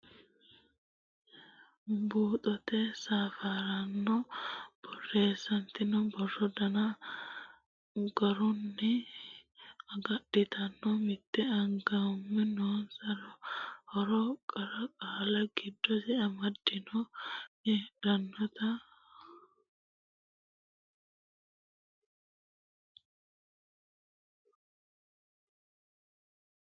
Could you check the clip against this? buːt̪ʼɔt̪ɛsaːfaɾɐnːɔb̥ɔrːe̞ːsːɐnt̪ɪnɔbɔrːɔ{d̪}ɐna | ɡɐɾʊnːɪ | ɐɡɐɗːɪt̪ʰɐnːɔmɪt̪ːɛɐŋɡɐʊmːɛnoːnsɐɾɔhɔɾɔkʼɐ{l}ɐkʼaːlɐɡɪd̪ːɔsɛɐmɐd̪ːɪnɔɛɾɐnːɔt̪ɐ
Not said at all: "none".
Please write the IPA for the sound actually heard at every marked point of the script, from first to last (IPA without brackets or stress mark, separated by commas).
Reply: d̪, ɾ